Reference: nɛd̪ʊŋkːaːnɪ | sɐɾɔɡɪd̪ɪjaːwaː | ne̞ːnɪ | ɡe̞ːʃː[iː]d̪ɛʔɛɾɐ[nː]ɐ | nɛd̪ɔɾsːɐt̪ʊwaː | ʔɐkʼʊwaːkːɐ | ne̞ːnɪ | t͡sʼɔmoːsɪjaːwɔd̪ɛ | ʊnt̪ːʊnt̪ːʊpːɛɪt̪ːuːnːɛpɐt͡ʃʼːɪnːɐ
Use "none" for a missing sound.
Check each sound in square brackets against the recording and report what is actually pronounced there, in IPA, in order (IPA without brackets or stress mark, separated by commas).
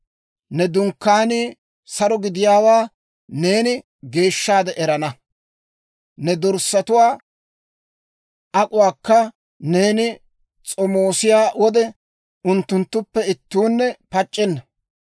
aː, n